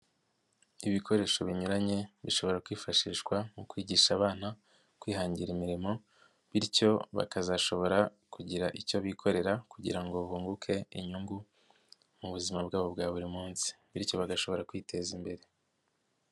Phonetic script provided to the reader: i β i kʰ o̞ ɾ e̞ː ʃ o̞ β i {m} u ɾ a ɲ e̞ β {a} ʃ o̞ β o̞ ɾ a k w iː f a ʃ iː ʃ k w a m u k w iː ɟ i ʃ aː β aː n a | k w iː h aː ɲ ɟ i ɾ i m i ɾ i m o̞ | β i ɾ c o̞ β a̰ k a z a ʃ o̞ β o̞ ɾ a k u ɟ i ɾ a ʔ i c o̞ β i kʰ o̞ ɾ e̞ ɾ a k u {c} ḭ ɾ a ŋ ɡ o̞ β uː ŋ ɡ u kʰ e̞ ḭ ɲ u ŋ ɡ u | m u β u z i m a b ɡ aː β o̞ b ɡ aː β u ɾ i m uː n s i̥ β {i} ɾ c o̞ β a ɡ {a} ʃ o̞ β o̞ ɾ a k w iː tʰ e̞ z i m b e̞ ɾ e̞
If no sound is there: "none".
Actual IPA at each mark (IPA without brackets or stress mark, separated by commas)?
ɲ, i, ɟ, i, a